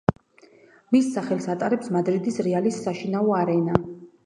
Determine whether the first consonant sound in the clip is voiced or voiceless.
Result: voiced